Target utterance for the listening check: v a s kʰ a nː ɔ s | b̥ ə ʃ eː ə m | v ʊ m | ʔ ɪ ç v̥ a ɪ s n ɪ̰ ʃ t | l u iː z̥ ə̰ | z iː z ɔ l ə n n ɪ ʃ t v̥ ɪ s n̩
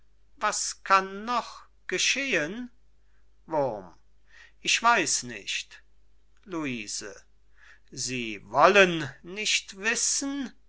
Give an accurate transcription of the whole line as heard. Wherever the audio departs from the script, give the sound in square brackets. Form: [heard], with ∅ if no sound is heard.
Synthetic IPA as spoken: v a s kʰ a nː ɔ [χ] | [ɡ̥] ə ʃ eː ə [n] | v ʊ m | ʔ ɪ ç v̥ a ɪ s n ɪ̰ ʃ t | l u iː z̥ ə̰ | z iː [v] ɔ l ə n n ɪ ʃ t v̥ ɪ s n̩